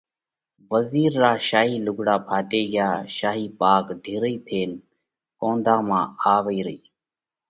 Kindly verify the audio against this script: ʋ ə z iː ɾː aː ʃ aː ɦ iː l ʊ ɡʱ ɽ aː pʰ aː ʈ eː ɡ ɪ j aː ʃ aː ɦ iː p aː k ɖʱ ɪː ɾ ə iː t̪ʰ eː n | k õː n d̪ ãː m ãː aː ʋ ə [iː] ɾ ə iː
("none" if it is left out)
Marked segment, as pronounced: iː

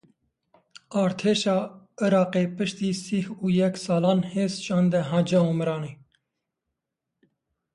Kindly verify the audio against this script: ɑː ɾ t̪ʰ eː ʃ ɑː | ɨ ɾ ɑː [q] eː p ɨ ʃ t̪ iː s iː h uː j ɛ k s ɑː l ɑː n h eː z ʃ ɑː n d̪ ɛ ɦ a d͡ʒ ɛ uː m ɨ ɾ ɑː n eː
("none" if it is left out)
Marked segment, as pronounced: q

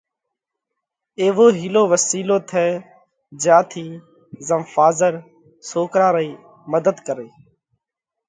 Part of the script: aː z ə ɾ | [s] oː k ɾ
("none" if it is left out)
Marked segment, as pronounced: s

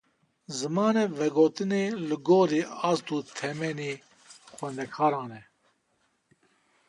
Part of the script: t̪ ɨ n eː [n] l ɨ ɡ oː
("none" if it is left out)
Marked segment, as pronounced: none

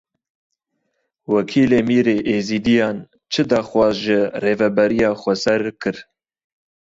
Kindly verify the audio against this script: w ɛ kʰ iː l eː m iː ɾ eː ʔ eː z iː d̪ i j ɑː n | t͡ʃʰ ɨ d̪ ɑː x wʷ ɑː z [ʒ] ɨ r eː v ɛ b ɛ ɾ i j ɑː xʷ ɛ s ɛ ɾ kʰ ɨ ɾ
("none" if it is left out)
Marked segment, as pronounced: ʒ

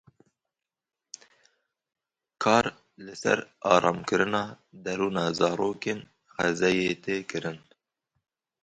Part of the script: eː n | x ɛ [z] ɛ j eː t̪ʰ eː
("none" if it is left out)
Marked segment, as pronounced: z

